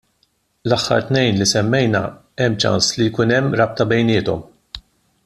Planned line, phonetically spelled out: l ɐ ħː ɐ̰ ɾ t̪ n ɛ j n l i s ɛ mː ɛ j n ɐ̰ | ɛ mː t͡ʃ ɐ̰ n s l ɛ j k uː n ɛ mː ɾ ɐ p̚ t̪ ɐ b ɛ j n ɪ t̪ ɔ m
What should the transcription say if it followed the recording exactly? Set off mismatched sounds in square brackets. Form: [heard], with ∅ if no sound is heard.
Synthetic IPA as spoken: l ɐ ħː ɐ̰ ɾ t̪ n ɛ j n l i s ɛ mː ɛ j n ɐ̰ | ɛ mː t͡ʃ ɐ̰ n s l [i] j k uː n ɛ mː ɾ ɐ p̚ t̪ ɐ b ɛ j n [ɪː] t̪ ɔ m

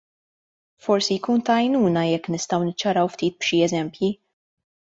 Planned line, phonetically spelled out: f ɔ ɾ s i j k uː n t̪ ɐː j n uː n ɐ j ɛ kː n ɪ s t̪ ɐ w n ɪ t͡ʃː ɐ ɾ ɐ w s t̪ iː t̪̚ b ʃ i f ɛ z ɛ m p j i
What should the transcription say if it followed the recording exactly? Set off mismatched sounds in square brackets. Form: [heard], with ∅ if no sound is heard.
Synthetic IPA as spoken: f ɔ ɾ s i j k uː n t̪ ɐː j n uː n ɐ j ɛ kː n ɪ s t̪ ɐ w n ɪ t͡ʃː ɐ ɾ ɐ w [f] t̪ iː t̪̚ b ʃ i [∅] ɛ z ɛ m p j i

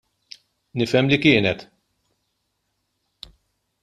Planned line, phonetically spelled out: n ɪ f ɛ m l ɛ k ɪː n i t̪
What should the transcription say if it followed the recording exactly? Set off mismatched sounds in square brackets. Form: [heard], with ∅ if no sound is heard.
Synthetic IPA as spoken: n ɪ f ɛ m l [i] k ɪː n [ɛ] t̪

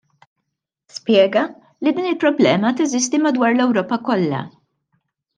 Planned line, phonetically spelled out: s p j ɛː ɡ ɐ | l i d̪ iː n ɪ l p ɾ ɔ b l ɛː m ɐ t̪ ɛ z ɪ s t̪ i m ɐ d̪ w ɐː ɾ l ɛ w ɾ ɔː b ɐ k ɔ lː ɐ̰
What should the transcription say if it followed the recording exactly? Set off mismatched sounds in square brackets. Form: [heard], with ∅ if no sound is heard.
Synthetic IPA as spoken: s p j ɛː ɡ ɐ | l i d̪ iː n ɪ l p ɾ ɔ b l ɛː m ɐ t̪ ɛ z ɪ s t̪ i m ɐ d̪ w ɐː ɾ l ɛ w ɾ ɔː [p] ɐ k ɔ lː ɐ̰

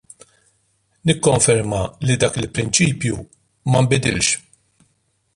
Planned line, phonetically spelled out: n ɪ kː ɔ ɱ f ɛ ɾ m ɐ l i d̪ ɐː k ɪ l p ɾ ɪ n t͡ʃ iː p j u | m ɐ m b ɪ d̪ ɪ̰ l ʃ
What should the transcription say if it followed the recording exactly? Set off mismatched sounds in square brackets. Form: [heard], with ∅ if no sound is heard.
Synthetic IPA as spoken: n ɪ kː ɔ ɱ f ɛ ɾ m ɐ l i d̪ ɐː k ɪ l p ɾ ɪ n t͡ʃ iː p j u | m ɐ m b ɪ d̪ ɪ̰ l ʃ

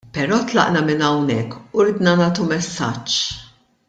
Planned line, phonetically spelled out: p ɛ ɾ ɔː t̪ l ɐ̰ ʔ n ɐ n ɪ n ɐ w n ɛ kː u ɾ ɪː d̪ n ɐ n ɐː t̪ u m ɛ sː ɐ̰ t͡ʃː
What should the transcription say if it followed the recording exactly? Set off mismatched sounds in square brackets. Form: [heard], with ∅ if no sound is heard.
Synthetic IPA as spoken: p ɛ ɾ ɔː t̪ l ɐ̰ ʔ n ɐ [m] ɪ n ɐ w n ɛ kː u ɾ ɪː d̪ n ɐ n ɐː t̪ u m ɛ sː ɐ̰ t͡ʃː

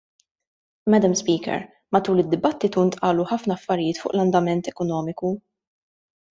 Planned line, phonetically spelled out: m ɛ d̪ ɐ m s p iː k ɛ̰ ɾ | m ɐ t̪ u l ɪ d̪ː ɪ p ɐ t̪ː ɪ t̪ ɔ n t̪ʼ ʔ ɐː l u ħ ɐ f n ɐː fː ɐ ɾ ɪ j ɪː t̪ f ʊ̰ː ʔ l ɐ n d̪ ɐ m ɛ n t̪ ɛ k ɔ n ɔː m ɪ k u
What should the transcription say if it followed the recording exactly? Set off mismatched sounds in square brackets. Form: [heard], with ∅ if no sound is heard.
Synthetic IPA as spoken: m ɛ d̪ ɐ m s p iː k ɛ̰ ɾ | m ɐ t̪ [uː] l ɪ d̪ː ɪ [b] ɐ t̪ː ɪ t̪ [u] n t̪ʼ ʔ ɐː l u ħ ɐ f n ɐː fː ɐ ɾ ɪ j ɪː t̪ f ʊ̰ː ʔ l ɐ n d̪ ɐ m ɛ n t̪ ɛ k ɔ n ɔː m ɪ k u

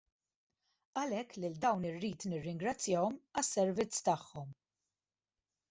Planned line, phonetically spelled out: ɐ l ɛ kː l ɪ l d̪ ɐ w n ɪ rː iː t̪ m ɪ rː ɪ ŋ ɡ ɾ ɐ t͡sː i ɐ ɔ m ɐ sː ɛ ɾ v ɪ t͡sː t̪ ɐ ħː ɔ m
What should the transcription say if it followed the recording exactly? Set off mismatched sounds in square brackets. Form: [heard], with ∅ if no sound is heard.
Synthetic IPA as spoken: ɐ l ɛ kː l ɪ l d̪ ɐ w n ɪ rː iː t̪ [n] ɪ rː ɪ ŋ ɡ ɾ ɐ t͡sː [j] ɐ ɔ m ɐ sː ɛ ɾ v ɪ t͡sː t̪ ɐ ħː ɔ m

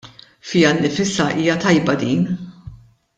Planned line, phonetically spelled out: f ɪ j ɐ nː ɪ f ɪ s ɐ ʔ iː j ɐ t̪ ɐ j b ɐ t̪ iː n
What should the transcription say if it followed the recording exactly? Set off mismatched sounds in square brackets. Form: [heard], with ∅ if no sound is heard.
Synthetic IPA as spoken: f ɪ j ɐ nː ɪ f ɪ s ɐ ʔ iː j ɐ t̪ ɐ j b ɐ [d̪] iː n

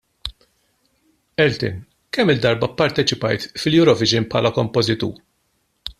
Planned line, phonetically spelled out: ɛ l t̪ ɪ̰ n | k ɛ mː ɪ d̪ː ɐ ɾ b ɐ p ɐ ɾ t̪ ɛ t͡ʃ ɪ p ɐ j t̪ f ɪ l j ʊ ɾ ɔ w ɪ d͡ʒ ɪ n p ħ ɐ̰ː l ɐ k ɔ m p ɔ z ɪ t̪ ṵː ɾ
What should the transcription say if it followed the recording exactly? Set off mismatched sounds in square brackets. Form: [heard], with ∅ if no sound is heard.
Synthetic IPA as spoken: ɛ l t̪ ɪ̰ n | k ɛ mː ɪ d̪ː ɐ ɾ b ɐ p ɐ ɾ t̪ ɛ t͡ʃ ɪ p ɐ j t̪ f ɪ l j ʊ ɾ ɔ [v] ɪ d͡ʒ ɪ n p ħ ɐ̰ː l ɐ k ɔ m p ɔ z ɪ t̪ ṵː ɾ

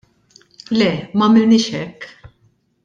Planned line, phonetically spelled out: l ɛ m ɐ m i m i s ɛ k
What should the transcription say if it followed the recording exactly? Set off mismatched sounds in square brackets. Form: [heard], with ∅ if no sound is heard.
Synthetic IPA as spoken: l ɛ m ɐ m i [n] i [ʃ] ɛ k

